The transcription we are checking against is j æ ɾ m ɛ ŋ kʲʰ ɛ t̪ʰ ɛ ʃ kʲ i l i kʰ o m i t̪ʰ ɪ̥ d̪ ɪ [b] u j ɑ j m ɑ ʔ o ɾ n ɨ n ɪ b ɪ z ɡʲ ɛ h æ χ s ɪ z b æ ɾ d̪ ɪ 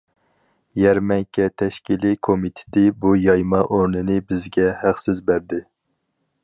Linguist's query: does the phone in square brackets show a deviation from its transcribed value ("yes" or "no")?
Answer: no